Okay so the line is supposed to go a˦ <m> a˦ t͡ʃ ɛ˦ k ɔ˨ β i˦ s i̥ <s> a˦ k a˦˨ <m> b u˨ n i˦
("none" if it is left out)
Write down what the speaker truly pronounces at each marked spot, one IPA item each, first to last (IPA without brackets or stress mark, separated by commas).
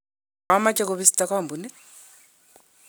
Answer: m, t, m